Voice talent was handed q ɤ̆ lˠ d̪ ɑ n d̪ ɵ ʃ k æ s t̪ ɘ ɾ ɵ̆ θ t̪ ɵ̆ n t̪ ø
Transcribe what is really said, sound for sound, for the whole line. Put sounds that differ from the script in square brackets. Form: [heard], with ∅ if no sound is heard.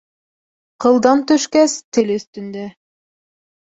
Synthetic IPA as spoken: q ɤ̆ lˠ d̪ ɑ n [t̪] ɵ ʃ k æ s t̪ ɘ [l] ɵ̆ θ t̪ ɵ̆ n [d̪] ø